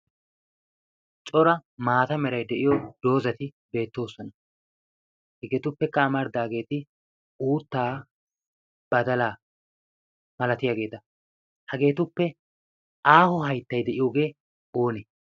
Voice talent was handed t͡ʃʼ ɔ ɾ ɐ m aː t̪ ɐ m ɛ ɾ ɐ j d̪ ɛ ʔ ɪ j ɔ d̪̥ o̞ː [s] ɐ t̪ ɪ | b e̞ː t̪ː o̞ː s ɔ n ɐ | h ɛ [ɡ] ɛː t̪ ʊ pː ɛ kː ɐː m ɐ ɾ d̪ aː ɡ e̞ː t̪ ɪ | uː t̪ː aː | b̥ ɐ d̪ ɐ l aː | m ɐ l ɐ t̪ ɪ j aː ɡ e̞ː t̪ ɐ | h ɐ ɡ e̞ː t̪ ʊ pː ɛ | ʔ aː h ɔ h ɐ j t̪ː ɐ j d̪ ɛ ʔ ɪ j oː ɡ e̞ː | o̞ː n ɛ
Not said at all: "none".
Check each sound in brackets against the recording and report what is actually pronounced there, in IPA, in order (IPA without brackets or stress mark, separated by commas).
z, ɡ